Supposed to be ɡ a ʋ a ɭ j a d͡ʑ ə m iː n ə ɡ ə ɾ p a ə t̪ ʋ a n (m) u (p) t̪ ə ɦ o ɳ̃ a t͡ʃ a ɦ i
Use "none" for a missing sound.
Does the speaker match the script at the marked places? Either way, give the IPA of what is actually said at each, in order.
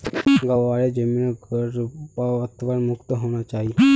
m, k

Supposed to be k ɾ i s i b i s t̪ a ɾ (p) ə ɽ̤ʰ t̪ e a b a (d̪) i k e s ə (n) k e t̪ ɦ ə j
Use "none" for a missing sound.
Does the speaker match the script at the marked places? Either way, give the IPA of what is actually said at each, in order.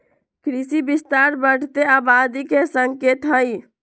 b, d̪, ŋ

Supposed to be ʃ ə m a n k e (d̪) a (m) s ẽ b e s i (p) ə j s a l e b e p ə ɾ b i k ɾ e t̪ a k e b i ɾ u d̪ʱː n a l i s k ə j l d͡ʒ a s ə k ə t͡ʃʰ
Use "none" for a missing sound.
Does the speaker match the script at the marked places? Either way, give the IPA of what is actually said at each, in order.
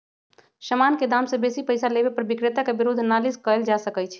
d̪, m, p

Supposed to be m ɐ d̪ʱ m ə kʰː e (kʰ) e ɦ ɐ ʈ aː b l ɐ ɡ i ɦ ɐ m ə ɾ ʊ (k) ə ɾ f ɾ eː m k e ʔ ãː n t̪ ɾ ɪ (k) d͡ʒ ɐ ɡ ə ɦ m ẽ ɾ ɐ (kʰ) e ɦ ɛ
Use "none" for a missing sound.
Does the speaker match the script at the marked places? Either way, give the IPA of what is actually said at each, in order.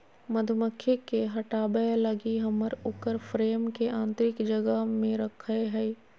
k, k, k, kʰ

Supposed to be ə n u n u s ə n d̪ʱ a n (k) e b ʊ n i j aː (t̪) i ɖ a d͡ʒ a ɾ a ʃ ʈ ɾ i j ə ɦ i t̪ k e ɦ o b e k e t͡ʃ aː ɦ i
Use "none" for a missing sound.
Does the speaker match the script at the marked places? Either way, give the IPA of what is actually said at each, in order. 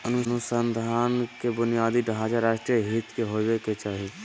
k, d̪

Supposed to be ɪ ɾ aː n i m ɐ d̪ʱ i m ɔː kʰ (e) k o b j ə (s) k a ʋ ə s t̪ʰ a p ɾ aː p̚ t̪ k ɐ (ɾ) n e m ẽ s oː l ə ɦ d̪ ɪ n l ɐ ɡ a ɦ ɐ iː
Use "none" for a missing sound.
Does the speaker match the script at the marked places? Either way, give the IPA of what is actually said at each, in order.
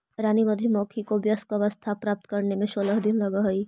i, s, ɾ

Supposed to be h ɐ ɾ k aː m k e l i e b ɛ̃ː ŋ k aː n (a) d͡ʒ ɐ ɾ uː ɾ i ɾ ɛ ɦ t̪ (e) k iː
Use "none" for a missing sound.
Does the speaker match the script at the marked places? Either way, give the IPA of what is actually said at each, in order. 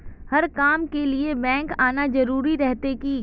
a, e

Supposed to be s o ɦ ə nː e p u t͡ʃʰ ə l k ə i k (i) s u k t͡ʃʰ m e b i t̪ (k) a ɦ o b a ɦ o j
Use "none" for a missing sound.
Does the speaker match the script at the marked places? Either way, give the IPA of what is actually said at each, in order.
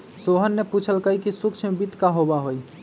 i, k

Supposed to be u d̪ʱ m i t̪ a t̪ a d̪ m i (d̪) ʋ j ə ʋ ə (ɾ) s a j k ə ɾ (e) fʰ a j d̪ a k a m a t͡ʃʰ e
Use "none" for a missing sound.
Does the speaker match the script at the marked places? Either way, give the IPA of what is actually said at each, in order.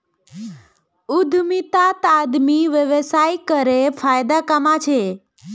none, none, e

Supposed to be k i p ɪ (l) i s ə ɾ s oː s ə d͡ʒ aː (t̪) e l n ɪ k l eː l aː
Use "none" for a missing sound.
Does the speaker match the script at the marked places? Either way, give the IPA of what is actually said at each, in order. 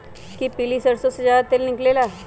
l, t̪

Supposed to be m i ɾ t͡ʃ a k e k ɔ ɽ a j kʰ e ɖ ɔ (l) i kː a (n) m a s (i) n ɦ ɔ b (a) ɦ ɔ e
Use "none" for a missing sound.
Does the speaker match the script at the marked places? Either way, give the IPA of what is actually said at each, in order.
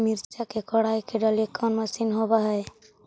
l, n, i, a

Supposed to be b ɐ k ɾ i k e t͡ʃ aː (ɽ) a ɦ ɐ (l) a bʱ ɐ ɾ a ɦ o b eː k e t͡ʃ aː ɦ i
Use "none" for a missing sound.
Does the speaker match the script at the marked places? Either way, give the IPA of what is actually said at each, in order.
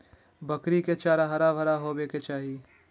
ɾ, ɾ

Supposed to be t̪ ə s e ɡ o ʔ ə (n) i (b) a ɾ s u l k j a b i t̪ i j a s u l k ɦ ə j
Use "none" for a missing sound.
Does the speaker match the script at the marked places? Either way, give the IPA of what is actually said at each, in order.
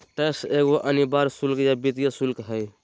n, b

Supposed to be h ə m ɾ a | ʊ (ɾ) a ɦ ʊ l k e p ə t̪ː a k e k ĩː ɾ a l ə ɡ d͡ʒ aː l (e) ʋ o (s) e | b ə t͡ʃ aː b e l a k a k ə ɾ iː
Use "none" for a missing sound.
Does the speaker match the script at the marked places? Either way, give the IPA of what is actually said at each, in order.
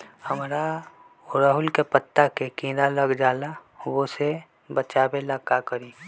ɾ, a, s

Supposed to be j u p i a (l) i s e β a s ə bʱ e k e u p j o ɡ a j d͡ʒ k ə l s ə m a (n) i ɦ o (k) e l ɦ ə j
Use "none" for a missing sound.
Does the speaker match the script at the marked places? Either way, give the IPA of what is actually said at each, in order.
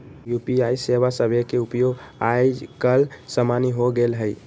none, n, ɡ

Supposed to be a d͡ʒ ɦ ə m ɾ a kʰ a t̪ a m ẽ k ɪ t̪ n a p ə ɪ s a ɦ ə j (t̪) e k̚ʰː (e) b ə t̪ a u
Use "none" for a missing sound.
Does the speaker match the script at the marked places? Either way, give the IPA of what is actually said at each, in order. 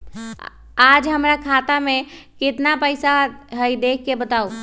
d̪, e

